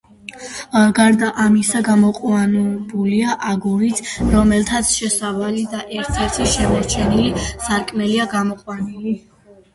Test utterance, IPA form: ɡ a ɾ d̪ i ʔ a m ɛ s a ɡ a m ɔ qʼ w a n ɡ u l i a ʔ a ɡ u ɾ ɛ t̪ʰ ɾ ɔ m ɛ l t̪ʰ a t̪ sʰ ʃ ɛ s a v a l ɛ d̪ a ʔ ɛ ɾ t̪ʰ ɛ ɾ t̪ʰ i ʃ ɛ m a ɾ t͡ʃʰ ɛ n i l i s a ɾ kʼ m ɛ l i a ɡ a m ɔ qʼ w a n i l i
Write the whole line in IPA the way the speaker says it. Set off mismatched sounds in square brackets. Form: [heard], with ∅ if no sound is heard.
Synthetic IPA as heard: ɡ a ɾ d̪ [a] ʔ a m [i] s a ɡ a m ɔ qʼ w a n [b] u l i a ʔ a ɡ u ɾ [i] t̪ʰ ɾ ɔ m ɛ l t̪ʰ a t̪ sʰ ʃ ɛ s a v a l [i] d̪ a ʔ ɛ ɾ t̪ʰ ɛ ɾ t̪ʰ i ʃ ɛ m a ɾ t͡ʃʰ ɛ n i l i s a ɾ kʼ m ɛ l i a ɡ a m ɔ qʼ w a n i l i